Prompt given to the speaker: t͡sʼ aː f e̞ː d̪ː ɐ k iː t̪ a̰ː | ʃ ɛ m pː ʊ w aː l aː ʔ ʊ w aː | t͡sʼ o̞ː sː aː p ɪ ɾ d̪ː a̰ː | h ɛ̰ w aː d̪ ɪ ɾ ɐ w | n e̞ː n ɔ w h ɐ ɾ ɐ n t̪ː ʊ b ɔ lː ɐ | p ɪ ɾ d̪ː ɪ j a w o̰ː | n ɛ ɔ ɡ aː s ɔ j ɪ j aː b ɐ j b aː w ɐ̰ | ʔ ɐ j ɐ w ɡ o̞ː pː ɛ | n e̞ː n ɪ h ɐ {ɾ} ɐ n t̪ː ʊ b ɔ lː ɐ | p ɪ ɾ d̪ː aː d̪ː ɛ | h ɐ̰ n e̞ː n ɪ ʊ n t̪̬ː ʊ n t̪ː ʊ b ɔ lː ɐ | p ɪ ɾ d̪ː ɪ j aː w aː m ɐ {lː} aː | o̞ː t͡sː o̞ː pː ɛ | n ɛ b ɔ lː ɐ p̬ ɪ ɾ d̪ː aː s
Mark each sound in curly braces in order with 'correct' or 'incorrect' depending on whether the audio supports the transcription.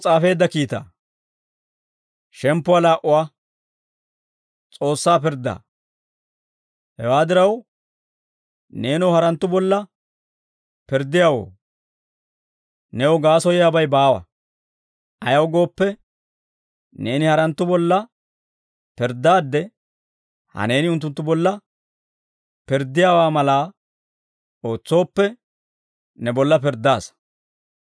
correct, incorrect: l

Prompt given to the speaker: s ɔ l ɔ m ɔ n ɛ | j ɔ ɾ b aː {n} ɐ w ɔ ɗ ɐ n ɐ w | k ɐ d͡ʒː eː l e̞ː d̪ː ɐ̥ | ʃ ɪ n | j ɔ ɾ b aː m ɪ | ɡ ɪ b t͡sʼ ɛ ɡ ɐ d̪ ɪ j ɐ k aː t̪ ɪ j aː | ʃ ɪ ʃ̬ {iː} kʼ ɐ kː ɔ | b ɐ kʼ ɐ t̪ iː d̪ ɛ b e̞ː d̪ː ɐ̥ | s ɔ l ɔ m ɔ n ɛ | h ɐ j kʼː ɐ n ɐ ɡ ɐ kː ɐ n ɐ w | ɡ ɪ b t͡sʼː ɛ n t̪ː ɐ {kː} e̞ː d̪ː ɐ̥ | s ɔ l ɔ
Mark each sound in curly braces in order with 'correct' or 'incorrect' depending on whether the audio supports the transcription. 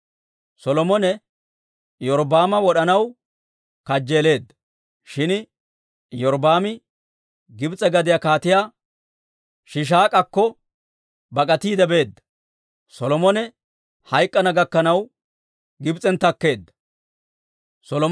incorrect: m, incorrect: aː, correct

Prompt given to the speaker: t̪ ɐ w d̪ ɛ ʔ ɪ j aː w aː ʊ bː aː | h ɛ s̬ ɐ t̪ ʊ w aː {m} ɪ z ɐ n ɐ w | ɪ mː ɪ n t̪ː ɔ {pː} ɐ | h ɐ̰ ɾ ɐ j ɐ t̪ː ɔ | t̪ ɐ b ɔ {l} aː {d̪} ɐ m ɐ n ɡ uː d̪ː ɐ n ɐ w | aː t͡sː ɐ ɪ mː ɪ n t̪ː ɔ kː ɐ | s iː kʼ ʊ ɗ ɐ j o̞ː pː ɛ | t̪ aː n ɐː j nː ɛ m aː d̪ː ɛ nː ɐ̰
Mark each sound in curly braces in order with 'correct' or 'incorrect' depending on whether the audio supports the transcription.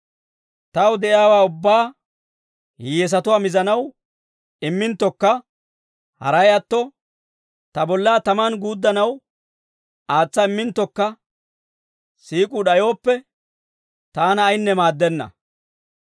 correct, incorrect: kː, incorrect: lː, incorrect: t̪

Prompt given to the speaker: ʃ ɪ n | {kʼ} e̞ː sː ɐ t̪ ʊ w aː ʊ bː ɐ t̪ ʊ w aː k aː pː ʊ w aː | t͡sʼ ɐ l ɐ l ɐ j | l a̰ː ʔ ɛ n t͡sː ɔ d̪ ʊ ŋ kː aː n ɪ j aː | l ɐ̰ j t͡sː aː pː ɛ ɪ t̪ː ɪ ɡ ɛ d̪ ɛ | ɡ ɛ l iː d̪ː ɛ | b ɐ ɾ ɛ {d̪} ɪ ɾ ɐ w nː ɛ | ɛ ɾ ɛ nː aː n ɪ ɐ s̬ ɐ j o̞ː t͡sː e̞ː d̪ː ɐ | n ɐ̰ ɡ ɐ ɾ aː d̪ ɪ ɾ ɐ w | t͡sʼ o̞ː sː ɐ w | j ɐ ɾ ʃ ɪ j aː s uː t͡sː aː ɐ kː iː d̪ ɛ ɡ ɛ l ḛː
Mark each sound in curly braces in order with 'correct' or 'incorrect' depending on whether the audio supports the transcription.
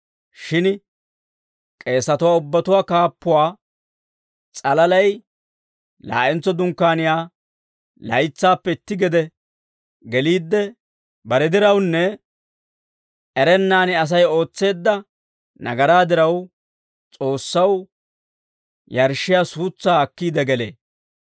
correct, correct

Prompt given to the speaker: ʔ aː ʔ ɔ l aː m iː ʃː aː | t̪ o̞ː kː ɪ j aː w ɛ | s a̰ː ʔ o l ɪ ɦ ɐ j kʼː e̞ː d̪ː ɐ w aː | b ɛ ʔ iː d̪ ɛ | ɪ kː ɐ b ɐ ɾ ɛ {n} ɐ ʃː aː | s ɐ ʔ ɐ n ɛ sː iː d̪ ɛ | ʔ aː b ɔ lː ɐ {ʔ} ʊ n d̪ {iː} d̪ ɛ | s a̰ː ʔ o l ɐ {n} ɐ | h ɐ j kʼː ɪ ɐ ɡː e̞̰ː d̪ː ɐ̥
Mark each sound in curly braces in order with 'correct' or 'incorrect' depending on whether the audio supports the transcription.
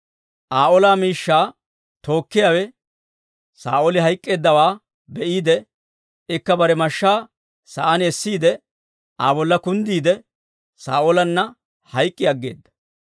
incorrect: m, incorrect: k, correct, incorrect: nː

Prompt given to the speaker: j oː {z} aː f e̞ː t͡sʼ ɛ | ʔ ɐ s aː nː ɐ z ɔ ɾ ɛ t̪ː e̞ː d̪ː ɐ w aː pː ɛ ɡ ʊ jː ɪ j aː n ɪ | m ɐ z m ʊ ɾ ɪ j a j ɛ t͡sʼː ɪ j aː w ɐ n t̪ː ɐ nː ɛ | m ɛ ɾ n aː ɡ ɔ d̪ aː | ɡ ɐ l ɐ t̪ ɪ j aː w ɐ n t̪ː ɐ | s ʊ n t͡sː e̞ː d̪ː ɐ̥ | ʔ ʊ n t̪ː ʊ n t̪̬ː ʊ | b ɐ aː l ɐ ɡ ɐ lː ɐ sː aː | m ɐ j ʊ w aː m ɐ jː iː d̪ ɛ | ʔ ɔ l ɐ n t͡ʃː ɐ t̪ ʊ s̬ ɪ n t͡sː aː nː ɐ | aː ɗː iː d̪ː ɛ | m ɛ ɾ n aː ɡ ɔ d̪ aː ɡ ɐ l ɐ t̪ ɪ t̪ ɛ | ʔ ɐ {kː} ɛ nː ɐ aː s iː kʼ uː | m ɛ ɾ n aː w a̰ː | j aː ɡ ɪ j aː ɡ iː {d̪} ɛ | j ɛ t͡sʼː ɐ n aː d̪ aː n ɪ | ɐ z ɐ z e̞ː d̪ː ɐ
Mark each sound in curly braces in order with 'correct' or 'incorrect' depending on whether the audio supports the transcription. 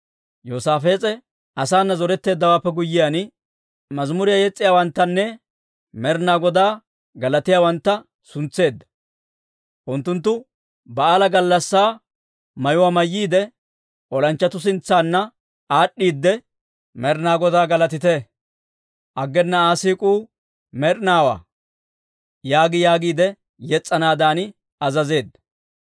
incorrect: s, incorrect: ɡː, correct

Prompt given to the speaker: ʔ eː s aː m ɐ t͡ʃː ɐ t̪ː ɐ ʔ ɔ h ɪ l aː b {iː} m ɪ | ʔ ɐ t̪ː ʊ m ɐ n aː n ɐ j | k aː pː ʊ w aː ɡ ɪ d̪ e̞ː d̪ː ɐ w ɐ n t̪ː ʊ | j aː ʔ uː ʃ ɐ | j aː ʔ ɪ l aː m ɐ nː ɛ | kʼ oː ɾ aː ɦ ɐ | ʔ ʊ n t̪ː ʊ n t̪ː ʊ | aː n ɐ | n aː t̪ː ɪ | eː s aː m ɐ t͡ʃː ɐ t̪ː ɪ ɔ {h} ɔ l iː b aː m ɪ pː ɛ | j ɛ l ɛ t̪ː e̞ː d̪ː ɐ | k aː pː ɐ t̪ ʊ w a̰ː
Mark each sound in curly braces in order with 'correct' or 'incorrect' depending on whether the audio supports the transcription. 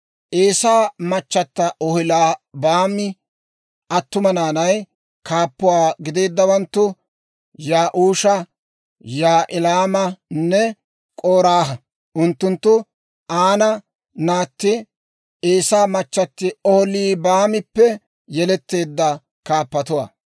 incorrect: aː, correct

